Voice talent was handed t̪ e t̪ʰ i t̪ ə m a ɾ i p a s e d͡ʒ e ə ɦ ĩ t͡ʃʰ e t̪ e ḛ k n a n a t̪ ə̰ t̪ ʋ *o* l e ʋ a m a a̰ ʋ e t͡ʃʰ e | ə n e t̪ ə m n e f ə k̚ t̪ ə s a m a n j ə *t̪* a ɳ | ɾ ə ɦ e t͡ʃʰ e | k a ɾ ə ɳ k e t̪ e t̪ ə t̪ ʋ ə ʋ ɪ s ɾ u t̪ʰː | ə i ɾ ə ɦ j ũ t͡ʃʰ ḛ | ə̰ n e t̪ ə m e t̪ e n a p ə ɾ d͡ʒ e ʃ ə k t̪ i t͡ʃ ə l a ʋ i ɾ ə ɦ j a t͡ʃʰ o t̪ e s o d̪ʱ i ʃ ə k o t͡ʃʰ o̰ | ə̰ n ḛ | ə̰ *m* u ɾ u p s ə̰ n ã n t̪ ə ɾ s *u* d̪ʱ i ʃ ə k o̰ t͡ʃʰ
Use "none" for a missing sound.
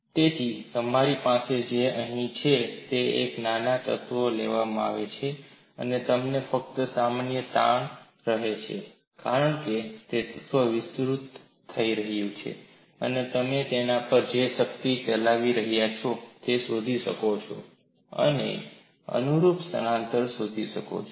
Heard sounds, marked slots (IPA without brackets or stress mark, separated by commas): o, t̪, n, o